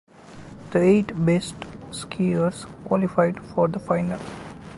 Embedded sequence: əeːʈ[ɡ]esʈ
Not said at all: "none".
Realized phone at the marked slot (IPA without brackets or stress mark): b